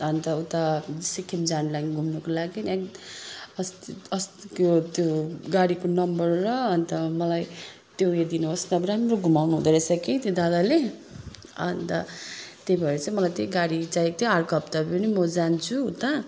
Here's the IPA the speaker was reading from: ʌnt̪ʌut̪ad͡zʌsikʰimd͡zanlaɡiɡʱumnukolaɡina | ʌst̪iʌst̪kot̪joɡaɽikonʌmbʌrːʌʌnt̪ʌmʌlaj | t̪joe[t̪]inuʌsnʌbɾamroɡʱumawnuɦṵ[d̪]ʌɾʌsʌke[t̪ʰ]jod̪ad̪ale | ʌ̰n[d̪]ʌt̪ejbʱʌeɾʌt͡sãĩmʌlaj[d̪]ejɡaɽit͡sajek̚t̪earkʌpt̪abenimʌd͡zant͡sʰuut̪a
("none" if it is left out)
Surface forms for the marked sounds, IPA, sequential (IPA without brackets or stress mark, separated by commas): d̪, d̪, t̪, t̪, t̪